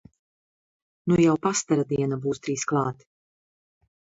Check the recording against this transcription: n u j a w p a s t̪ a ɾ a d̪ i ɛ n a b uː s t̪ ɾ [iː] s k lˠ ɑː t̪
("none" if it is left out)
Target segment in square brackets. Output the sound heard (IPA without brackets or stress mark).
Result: iː